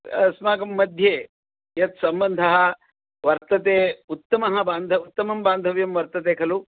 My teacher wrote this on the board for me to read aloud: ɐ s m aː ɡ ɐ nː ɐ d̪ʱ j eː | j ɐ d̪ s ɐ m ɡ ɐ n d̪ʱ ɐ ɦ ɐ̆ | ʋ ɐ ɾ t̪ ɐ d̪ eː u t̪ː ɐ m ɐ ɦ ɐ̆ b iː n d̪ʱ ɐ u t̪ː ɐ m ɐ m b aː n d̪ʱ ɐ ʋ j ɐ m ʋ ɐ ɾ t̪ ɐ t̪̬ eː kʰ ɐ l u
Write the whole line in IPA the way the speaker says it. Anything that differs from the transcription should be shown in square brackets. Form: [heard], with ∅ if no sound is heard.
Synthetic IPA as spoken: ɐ s m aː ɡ ɐ [mː] ɐ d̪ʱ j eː | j ɐ [t̪] s ɐ m [b] ɐ n d̪ʱ ɐ ɦ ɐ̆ | ʋ ɐ ɾ t̪ ɐ [t̪] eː u t̪ː ɐ m ɐ ɦ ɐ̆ b [aː] n d̪ʱ ɐ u t̪ː ɐ m ɐ m b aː n d̪ʱ ɐ ʋ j ɐ m ʋ ɐ ɾ t̪ ɐ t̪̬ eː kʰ ɐ l u

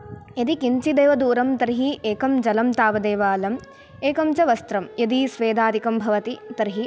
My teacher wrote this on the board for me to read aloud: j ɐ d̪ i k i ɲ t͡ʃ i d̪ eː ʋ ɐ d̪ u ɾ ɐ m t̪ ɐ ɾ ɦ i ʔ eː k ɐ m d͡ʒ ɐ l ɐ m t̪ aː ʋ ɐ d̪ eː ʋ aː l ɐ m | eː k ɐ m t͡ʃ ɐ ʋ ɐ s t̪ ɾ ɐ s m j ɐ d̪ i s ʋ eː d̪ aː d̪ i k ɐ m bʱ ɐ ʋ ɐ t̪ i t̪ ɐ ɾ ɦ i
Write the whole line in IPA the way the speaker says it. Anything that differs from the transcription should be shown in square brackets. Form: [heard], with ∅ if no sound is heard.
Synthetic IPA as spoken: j ɐ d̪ i k i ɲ t͡ʃ i d̪ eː ʋ ɐ d̪ [uː] ɾ ɐ m t̪ ɐ ɾ ɦ i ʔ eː k ɐ m d͡ʒ ɐ l ɐ m t̪ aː ʋ ɐ d̪ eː ʋ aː l ɐ m | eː k ɐ m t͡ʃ ɐ ʋ ɐ s t̪ ɾ ɐ [∅] m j ɐ d̪ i s ʋ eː d̪ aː d̪ i k ɐ m bʱ ɐ ʋ ɐ t̪ i t̪ ɐ ɾ ɦ i

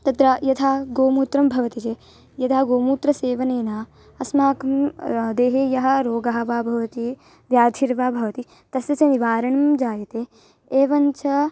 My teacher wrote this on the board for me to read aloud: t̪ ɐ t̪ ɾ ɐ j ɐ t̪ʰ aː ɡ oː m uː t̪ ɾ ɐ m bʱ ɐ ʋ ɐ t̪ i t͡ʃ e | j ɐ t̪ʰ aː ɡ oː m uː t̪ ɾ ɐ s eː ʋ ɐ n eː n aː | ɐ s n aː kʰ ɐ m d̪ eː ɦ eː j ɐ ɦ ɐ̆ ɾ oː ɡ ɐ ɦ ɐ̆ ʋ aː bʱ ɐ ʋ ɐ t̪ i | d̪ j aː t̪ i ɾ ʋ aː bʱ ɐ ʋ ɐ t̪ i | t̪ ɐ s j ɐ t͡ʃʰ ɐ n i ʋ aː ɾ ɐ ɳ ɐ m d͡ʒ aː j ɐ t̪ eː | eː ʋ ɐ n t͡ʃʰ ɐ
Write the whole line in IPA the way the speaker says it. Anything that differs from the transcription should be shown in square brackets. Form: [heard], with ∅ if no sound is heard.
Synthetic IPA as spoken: t̪ ɐ t̪ ɾ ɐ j ɐ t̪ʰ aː ɡ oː m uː t̪ ɾ ɐ m bʱ ɐ ʋ ɐ t̪ i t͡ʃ e | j ɐ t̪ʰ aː ɡ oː m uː t̪ ɾ ɐ s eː ʋ ɐ n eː n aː | ɐ s [m] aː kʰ ɐ m d̪ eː ɦ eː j ɐ ɦ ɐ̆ ɾ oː ɡ ɐ ɦ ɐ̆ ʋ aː bʱ ɐ ʋ ɐ t̪ i | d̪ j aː [t̪ʰ] i ɾ ʋ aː bʱ ɐ ʋ ɐ t̪ i | t̪ ɐ s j ɐ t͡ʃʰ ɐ n i ʋ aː ɾ ɐ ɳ ɐ m d͡ʒ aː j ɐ t̪ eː | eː ʋ ɐ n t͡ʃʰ ɐ

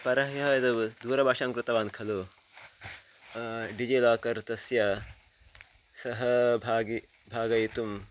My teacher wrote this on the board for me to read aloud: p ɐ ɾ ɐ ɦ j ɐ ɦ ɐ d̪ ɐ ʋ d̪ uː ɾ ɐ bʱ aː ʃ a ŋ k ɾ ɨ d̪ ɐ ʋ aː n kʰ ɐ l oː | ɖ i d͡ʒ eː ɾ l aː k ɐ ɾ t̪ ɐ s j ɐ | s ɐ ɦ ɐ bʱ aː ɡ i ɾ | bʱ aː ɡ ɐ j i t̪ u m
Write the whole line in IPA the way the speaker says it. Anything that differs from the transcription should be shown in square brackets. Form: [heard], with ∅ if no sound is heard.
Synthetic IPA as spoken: p ɐ ɾ ɐ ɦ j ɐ ɦ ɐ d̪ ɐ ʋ d̪ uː ɾ ɐ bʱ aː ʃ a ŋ k ɾ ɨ [t̪] ɐ ʋ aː n kʰ ɐ l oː | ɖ i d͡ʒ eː [∅] l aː k ɐ ɾ t̪ ɐ s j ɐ | s ɐ ɦ ɐ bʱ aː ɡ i [∅] | bʱ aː ɡ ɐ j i t̪ u m

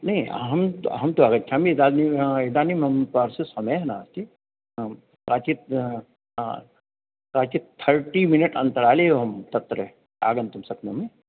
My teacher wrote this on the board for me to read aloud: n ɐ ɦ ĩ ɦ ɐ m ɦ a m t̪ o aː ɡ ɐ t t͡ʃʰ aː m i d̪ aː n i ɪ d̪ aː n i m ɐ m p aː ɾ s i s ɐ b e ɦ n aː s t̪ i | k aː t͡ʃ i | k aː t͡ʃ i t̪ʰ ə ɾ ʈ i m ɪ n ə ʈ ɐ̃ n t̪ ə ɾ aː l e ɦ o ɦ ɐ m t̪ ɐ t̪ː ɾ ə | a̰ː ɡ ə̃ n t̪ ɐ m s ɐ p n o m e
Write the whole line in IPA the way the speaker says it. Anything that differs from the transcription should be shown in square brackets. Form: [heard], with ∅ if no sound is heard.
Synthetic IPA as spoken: n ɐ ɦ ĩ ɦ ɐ m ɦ [ɐ] m t̪ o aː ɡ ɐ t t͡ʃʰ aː m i d̪ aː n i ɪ d̪ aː n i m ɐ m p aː ɾ s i s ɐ [m] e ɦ n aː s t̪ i | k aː t͡ʃ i | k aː t͡ʃ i t̪ʰ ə ɾ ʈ i m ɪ n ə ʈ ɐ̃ n t̪ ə ɾ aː l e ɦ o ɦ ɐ m t̪ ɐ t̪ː ɾ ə | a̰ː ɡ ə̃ n t̪ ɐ m s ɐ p n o m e

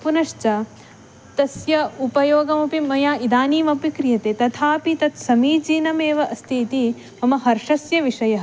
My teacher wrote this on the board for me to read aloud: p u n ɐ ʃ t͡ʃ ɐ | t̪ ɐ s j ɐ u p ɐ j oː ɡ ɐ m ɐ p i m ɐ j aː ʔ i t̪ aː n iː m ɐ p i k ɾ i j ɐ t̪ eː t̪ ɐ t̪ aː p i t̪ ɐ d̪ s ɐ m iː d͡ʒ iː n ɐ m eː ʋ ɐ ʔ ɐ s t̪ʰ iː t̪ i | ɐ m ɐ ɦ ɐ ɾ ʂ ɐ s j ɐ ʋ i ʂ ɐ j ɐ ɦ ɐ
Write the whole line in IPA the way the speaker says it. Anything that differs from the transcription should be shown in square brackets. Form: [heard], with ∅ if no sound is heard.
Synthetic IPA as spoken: p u n ɐ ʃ t͡ʃ ɐ | t̪ ɐ s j ɐ u p ɐ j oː ɡ ɐ m ɐ p i m ɐ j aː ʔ i [d̪] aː n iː m ɐ p i k ɾ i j ɐ t̪ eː t̪ ɐ [t̪ʰ] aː p i t̪ ɐ [t̪] s ɐ m iː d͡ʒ iː n ɐ m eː ʋ ɐ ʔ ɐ s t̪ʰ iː t̪ i | ɐ m ɐ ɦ ɐ ɾ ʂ ɐ s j ɐ ʋ i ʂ ɐ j ɐ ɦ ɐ

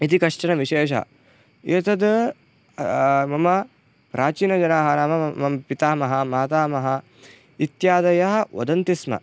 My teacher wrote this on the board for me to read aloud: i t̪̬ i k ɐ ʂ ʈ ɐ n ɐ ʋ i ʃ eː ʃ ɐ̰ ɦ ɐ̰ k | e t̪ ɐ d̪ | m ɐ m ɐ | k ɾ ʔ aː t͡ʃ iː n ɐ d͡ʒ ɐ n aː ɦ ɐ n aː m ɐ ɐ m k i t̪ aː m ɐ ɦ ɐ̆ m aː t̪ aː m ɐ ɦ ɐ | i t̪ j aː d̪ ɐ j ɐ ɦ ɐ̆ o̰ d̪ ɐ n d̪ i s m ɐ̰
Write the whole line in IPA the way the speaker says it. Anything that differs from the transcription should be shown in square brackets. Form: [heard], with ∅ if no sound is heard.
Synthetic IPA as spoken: i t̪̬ i k ɐ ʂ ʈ ɐ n ɐ ʋ i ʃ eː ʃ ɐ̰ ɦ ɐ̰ [∅] | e t̪ ɐ d̪ | m ɐ m ɐ | [p] ɾ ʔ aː t͡ʃ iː n ɐ d͡ʒ ɐ n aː ɦ ɐ n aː m ɐ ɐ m [p] i t̪ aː m ɐ ɦ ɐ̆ m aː t̪ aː m ɐ ɦ ɐ | i t̪ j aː d̪ ɐ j ɐ ɦ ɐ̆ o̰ d̪ ɐ n [t̪] i s m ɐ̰

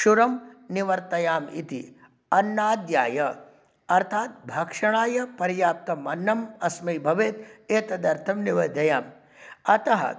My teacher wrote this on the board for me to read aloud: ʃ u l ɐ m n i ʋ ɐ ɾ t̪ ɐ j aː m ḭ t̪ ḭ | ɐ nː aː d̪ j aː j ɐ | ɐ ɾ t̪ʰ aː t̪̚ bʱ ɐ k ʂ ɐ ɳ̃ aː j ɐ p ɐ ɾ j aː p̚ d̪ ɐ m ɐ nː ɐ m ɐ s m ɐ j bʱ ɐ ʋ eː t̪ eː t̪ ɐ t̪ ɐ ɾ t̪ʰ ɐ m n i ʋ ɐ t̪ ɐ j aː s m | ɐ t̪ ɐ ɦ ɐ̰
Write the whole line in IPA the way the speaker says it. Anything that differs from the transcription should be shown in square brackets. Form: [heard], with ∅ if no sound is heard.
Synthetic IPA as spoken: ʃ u [ɾ] ɐ m n i ʋ ɐ ɾ t̪ ɐ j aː m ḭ t̪ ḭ | ɐ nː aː d̪ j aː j ɐ | ɐ ɾ t̪ʰ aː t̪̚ bʱ ɐ k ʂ ɐ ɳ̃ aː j ɐ p ɐ ɾ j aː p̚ [t̪] ɐ m ɐ nː ɐ m ɐ s m ɐ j bʱ ɐ ʋ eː t̪ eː t̪ ɐ [d̪] ɐ ɾ t̪ʰ ɐ m n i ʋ ɐ [d̪] ɐ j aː [∅] m | ɐ t̪ ɐ ɦ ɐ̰

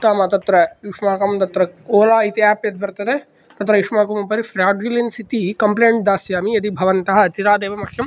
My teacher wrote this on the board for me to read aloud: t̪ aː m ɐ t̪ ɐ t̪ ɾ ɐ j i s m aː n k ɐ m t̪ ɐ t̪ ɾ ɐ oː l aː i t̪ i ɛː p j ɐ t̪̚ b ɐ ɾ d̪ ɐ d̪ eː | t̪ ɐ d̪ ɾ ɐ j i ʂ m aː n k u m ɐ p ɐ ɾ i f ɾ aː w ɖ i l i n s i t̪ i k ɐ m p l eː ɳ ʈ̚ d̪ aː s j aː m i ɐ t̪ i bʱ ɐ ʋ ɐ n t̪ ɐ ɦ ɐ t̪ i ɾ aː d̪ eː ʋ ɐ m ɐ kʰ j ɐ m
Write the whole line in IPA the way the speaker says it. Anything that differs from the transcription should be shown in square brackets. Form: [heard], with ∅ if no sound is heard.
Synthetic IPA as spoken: t̪ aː m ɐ t̪ ɐ t̪ ɾ ɐ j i [ʂ] m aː [∅] k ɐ m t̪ ɐ t̪ ɾ ɐ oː l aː i t̪ i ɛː p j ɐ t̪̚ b ɐ ɾ [t̪] ɐ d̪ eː | t̪ ɐ [t̪] ɾ ɐ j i ʂ m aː [∅] k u m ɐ p ɐ ɾ i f ɾ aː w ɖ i l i n s i t̪ i k ɐ m p l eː ɳ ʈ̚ d̪ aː s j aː m i ɐ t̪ i bʱ ɐ ʋ ɐ n t̪ ɐ ɦ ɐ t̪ i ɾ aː d̪ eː ʋ ɐ m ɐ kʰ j ɐ m

